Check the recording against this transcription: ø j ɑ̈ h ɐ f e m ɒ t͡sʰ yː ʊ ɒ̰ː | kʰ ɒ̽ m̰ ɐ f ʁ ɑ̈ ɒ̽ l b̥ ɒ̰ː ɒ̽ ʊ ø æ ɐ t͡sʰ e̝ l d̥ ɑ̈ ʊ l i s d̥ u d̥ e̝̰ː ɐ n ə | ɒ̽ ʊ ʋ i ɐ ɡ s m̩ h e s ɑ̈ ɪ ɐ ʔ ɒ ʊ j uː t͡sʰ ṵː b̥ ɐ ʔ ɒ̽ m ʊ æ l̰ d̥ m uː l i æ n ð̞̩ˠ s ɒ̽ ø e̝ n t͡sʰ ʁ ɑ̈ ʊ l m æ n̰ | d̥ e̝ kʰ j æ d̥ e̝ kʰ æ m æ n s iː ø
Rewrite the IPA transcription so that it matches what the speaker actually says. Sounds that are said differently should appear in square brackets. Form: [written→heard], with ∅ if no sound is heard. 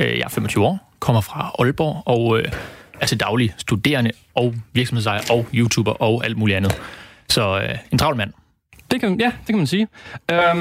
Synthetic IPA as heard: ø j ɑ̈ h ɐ f e m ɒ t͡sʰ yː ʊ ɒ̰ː | kʰ ɒ̽ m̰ ɐ f ʁ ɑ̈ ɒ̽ l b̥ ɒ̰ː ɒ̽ ʊ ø æ ɐ t͡sʰ e̝ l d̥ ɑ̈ ʊ l i s d̥ u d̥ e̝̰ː ɐ n ə | ɒ̽ ʊ ʋ i ɐ ɡ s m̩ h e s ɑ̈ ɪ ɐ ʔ ɒ ʊ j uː t͡sʰ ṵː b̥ ɐ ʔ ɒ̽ [m→∅] ʊ æ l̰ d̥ m uː l i æ n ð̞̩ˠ s ɒ̽ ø e̝ n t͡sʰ ʁ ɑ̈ ʊ l m æ n̰ | d̥ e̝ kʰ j æ d̥ e̝ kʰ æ m æ n s iː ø